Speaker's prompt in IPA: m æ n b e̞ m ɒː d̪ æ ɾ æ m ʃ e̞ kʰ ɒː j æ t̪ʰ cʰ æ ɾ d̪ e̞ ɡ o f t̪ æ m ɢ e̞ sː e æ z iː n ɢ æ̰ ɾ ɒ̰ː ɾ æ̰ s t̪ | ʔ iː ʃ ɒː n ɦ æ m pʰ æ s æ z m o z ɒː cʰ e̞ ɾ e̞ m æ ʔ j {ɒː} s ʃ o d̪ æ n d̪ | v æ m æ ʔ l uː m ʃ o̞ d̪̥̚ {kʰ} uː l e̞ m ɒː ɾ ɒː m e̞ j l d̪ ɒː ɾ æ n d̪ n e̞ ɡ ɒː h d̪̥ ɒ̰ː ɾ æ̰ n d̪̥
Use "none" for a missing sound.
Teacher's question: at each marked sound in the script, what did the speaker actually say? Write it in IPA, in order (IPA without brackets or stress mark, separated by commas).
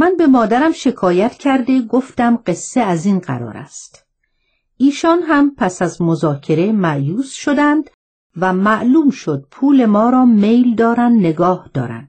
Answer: uː, pʰ